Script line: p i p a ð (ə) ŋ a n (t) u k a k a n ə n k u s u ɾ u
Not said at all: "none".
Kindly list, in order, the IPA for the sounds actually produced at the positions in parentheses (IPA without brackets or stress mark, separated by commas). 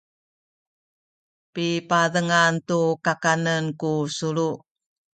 ə, t